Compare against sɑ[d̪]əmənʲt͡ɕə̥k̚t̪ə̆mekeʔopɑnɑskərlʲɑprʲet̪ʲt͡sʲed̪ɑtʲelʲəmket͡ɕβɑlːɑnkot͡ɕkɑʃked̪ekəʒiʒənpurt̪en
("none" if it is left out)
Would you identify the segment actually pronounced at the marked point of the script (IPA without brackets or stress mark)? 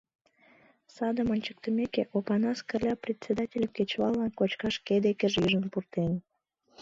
d̪